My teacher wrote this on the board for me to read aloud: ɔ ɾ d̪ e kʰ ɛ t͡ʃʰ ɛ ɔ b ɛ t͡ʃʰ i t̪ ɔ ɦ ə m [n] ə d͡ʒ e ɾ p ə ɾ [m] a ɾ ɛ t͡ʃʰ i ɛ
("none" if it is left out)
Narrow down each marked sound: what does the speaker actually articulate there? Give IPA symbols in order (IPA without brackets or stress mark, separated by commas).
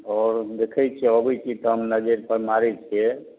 n, m